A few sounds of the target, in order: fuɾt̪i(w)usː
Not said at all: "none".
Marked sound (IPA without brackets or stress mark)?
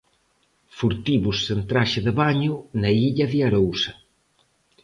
β